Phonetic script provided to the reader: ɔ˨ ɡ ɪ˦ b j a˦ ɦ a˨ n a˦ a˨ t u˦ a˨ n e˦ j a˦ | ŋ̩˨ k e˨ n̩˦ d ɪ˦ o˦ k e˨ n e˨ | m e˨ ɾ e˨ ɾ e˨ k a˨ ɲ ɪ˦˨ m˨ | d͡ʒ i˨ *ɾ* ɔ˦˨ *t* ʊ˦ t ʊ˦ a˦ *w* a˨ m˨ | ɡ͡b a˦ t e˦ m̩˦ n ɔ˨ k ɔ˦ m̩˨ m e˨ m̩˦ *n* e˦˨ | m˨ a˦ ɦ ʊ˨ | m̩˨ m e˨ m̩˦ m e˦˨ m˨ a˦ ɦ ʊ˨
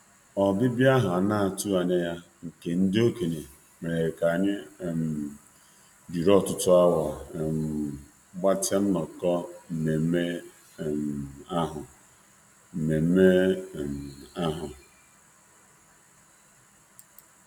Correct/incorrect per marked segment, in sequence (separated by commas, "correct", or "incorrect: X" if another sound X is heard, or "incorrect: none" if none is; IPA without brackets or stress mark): correct, correct, correct, incorrect: m